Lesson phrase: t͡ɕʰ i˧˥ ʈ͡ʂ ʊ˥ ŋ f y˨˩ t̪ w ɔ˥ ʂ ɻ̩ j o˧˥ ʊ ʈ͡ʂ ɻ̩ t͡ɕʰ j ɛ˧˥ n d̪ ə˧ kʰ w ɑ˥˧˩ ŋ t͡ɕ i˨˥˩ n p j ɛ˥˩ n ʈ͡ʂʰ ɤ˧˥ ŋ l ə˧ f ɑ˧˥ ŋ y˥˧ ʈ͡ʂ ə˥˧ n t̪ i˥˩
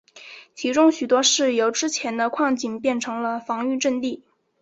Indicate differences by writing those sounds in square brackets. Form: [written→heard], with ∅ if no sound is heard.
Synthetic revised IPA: t͡ɕʰ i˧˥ ʈ͡ʂ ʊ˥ ŋ [f→ɕ] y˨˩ t̪ w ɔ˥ ʂ ɻ̩ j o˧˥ ʊ ʈ͡ʂ ɻ̩ t͡ɕʰ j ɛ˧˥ n d̪ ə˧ kʰ w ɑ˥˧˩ ŋ t͡ɕ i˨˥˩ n p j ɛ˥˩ n ʈ͡ʂʰ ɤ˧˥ ŋ l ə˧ f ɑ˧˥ ŋ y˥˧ ʈ͡ʂ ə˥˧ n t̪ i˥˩